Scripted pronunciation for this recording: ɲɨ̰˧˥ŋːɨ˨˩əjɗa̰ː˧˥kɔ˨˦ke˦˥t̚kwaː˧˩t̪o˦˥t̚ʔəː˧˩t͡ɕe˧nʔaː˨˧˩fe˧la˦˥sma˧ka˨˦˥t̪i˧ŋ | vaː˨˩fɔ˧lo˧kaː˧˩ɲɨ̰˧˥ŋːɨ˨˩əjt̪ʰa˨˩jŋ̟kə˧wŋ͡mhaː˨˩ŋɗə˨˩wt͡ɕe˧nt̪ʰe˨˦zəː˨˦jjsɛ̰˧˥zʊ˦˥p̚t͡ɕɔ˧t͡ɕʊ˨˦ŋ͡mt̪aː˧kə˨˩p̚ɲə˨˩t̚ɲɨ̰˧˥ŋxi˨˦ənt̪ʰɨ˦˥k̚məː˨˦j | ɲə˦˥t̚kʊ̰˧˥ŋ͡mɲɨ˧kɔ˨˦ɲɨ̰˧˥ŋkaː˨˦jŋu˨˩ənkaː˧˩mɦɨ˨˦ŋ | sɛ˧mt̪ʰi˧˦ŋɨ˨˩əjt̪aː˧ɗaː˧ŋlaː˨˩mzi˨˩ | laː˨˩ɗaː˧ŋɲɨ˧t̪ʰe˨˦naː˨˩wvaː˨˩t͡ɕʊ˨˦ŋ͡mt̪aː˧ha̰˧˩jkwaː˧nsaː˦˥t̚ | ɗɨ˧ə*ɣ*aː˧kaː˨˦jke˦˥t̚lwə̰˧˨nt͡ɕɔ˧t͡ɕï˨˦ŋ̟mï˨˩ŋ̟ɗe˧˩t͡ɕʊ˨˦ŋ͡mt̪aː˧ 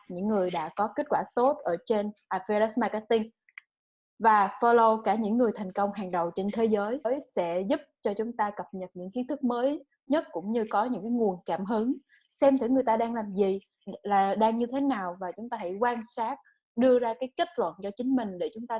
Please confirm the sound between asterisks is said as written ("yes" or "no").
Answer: no